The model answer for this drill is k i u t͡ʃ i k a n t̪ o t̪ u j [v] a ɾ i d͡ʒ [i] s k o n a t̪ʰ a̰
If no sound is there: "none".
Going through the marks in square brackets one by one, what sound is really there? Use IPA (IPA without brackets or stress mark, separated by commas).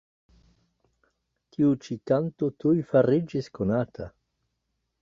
f, i